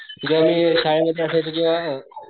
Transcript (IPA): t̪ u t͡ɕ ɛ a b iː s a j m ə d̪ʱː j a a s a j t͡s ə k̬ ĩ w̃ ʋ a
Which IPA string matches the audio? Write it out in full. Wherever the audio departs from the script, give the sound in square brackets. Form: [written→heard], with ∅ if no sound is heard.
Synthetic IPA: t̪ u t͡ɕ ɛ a [b→m] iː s a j m ə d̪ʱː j [a→e] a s a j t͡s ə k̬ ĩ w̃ ʋ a